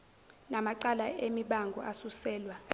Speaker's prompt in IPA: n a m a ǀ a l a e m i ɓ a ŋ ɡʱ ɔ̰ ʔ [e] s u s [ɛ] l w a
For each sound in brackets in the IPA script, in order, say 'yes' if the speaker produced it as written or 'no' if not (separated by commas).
no, no